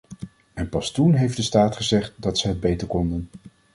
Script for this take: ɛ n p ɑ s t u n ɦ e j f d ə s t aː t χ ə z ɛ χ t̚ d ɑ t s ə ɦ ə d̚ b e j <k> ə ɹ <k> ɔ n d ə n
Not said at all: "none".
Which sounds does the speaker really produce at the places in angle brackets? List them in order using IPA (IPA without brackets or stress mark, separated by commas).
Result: t, k